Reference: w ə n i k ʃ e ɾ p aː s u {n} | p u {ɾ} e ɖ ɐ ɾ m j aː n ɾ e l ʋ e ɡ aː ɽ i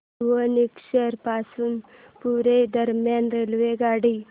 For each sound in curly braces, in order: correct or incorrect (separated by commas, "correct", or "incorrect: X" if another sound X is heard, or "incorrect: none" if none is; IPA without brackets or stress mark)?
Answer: correct, correct